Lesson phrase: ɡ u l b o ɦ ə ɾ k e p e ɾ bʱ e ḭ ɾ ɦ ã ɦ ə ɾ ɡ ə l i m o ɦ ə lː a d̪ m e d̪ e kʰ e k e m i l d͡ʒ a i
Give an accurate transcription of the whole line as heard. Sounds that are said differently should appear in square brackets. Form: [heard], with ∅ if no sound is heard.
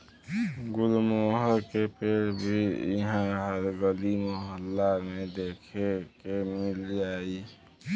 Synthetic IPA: ɡ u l [m] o ɦ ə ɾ k e p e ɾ bʱ [i] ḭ [∅] ɦ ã ɦ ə ɾ ɡ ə l i m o ɦ ə lː a [∅] m e d̪ e kʰ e k e m i l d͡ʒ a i